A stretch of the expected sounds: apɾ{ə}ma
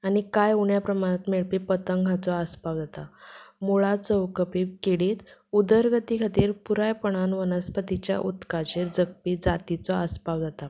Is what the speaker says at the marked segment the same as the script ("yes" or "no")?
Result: yes